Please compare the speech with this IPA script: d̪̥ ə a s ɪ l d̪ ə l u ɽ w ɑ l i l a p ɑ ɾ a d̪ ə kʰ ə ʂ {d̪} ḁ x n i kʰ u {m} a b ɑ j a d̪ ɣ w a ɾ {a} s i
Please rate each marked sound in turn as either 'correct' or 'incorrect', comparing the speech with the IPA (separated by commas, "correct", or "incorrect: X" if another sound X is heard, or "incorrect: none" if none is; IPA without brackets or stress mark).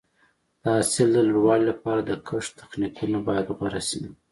incorrect: t̪, incorrect: n, correct